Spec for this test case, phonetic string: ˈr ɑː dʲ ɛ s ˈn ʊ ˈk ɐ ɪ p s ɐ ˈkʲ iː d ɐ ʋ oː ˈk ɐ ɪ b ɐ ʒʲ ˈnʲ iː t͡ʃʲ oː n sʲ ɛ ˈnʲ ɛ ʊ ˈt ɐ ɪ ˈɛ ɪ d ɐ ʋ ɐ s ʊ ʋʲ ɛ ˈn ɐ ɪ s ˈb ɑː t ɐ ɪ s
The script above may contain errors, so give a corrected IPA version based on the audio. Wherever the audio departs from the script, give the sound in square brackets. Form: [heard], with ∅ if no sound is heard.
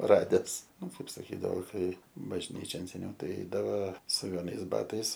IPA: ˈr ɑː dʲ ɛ s ˈn ʊ ˈk ɐ ɪ p s ɐ ˈkʲ iː d ɐ ʋ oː ˈk ɐ ɪ b ɐ ʒʲ ˈnʲ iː t͡ʃʲ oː n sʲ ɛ ˈnʲ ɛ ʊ ˈt ɐ ɪ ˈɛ ɪ d ɐ ʋ ɐ s ʊ ʋʲ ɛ ˈn ɐ ɪ s ˈb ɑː t ɐ ɪ s